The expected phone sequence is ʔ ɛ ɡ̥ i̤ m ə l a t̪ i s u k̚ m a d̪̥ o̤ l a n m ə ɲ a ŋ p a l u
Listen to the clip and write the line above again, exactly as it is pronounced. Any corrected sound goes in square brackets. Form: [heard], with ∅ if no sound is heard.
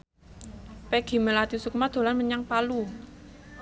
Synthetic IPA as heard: [p] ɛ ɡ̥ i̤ m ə l a t̪ i s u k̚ m a d̪̥ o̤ l a n m ə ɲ a ŋ p a l u

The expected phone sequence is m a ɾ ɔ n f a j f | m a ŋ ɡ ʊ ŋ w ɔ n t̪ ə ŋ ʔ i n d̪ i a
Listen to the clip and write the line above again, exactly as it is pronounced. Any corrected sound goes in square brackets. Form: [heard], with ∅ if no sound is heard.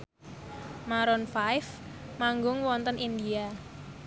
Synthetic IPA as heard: m a ɾ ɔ n f a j f | m a ŋ ɡ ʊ ŋ w ɔ n t̪ ə [n] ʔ i n d̪ i a

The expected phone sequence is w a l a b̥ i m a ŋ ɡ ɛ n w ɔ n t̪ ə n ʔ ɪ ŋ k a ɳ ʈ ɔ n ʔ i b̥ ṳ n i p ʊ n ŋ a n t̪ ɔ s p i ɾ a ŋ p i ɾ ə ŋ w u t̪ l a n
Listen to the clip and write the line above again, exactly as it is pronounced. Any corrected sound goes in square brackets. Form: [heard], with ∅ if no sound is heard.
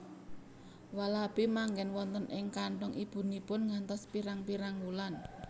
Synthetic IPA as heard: w a l a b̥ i m a ŋ ɡ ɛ n w ɔ n t̪ ə n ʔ ɪ ŋ k a ɳ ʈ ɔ [ŋ] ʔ i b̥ ṳ n i p ʊ n ŋ a n t̪ ɔ s p i ɾ a ŋ p i ɾ [a] ŋ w u [∅] l a n

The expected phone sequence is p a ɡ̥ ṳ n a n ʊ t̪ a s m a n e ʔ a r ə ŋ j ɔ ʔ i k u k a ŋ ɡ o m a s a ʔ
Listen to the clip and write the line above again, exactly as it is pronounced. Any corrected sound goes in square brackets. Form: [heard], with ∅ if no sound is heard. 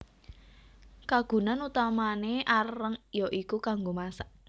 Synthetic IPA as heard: [k] a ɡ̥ ṳ n a n [u] t̪ a [∅] m a n e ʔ a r ə ŋ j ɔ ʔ i k u k a ŋ ɡ o m a s a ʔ

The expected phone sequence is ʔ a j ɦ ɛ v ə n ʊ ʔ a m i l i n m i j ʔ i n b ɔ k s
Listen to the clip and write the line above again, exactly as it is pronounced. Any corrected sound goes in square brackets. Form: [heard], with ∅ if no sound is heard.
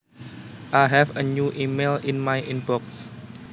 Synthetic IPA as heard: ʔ a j ɦ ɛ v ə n [u] ʔ [i] m [e] l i n m [a] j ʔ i n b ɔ k s

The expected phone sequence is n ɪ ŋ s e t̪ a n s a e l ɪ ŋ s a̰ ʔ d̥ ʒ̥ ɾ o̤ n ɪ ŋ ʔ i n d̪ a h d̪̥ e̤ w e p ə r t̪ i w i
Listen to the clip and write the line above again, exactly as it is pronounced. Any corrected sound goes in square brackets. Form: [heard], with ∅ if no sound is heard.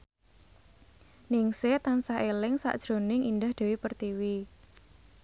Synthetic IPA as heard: n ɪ ŋ s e t̪ a n s a e l ɪ ŋ s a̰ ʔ d̥ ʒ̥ ɾ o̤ n ɪ ŋ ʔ i n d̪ a h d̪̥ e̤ w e p ə r t̪ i w i

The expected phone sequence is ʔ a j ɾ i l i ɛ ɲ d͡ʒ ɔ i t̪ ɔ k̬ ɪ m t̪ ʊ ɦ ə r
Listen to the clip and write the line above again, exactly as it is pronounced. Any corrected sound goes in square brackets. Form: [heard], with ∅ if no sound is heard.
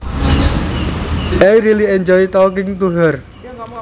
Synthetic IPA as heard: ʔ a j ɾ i l i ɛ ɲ d͡ʒ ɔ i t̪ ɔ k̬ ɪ [ŋ] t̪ [u] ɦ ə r

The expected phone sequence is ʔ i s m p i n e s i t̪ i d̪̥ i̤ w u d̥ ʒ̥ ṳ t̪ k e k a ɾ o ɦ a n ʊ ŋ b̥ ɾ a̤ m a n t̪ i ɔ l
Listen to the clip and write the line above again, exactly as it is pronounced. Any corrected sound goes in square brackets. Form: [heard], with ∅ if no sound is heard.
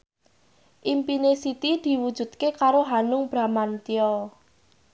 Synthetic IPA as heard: ʔ i [∅] m p i n e s i t̪ i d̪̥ i̤ w u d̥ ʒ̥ ṳ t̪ k e k a ɾ o ɦ a n ʊ ŋ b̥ ɾ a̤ m a n t̪ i ɔ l

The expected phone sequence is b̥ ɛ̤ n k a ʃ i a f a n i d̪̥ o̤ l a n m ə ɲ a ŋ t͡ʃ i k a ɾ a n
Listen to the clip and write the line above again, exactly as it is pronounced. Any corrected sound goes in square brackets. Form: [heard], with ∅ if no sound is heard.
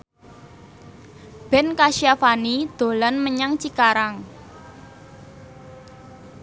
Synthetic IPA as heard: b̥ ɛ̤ n k a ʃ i a f a n i d̪̥ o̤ l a n m ə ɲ a ŋ t͡ʃ i k a ɾ a [ŋ]

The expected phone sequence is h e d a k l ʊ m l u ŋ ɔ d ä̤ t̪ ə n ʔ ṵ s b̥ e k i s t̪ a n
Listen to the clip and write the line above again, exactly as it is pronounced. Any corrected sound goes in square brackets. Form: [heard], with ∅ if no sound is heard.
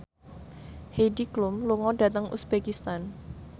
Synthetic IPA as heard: h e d [i] k l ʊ m l u ŋ ɔ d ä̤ t̪ ə [ŋ] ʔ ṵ s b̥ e k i s t̪ a n

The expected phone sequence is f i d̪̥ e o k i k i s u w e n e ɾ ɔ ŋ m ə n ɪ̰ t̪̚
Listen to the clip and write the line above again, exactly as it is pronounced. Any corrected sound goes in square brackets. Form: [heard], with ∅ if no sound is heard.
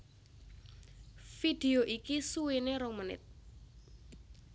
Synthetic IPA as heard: f i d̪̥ e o [ʔ] i k i s u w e n e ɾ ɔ ŋ m ə n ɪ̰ t̪̚

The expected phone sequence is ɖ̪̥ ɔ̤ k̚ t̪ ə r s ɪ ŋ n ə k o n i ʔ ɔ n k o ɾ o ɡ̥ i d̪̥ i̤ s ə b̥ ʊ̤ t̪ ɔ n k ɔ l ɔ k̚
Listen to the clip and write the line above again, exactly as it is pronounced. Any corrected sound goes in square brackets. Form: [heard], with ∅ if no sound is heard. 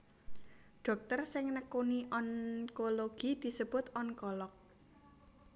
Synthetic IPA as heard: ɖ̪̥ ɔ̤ k̚ t̪ ə r s ɪ ŋ n ə k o n i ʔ ɔ n k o [l] o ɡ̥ i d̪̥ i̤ s ə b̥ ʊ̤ t̪ ɔ n k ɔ l ɔ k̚

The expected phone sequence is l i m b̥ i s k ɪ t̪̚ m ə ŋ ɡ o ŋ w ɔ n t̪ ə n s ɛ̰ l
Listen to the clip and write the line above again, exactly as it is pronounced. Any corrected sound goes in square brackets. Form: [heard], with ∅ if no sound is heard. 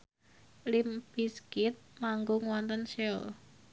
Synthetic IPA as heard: l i m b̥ i s k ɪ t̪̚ m [a] ŋ ɡ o ŋ w ɔ n t̪ ə n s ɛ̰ l

